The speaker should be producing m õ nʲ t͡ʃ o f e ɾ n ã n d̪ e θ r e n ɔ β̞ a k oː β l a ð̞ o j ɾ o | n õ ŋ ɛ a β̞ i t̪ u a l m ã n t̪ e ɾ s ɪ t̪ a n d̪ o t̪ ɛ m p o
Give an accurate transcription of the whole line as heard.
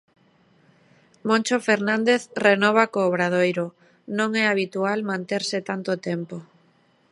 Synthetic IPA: m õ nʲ t͡ʃ o f e ɾ n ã n d̪ e θ r e n ɔ β̞ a k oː β ɾ a ð̞ o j ɾ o | n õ ŋ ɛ a β̞ i t̪ u a l m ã n t̪ e ɾ s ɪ t̪ a n t̪ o t̪ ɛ m p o